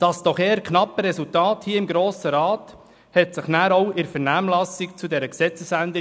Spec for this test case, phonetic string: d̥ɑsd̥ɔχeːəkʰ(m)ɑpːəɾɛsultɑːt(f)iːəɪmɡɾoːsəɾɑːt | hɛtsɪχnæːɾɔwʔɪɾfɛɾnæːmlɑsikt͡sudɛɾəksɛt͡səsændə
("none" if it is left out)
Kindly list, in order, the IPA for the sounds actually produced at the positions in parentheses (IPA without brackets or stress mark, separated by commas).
n, h